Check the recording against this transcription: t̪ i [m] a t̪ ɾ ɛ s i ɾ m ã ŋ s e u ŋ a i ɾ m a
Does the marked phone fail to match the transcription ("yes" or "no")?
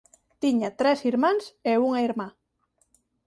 yes